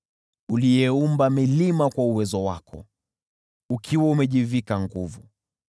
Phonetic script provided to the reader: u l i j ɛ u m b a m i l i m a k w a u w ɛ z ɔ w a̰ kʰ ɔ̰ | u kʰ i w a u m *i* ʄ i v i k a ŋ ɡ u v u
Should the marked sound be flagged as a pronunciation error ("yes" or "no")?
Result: yes